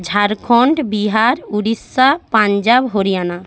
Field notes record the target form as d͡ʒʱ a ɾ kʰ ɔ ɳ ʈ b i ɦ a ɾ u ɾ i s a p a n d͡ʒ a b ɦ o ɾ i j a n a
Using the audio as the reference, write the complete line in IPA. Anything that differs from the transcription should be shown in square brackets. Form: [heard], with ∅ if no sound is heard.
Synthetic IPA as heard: d͡ʒʱ a ɾ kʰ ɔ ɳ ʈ b i ɦ a ɾ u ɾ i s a p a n d͡ʒ a b ɦ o ɾ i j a n a